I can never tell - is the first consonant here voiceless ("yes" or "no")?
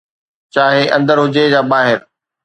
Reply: yes